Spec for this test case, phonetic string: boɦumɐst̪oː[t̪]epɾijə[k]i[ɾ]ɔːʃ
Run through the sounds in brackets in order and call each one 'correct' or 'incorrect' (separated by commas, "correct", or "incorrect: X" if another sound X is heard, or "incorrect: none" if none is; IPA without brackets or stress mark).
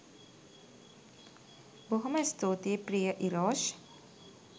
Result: correct, incorrect: ʔ, correct